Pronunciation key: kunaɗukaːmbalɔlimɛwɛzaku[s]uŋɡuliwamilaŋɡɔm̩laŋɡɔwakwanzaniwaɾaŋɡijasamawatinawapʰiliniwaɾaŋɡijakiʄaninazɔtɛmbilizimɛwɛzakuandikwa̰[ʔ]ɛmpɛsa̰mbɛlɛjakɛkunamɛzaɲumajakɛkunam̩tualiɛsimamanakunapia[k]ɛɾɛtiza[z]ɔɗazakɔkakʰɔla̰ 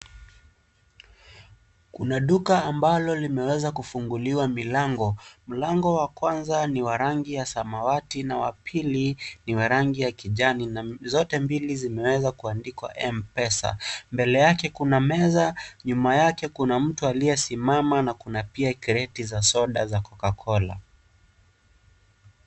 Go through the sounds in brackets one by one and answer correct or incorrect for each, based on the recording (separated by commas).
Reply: incorrect, correct, correct, incorrect